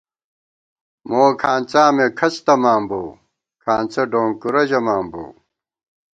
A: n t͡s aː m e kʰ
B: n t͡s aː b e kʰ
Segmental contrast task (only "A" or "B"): A